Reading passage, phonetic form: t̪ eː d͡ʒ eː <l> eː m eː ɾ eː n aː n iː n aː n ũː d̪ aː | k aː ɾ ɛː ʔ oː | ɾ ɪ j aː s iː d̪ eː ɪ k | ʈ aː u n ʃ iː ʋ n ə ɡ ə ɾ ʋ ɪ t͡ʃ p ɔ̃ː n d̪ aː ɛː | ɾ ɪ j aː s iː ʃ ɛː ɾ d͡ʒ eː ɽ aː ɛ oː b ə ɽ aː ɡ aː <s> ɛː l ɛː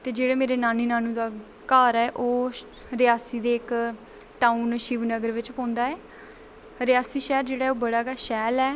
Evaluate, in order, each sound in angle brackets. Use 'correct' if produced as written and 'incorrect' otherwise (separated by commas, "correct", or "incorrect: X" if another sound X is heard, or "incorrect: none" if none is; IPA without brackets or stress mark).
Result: incorrect: ɽ, incorrect: ʃ